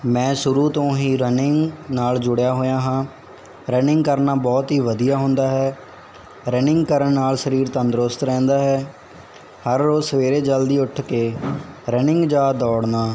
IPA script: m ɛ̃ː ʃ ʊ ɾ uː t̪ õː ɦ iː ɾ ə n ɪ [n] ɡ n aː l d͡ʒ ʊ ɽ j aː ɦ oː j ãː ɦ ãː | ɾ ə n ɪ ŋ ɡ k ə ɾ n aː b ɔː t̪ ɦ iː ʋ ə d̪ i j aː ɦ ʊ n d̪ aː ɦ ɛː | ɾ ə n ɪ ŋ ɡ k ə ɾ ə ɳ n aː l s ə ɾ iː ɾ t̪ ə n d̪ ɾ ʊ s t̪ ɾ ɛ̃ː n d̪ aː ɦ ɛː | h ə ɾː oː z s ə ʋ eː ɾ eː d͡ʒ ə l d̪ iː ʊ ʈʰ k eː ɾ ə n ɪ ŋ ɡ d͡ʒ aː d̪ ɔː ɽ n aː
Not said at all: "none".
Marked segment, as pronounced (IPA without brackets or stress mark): ŋ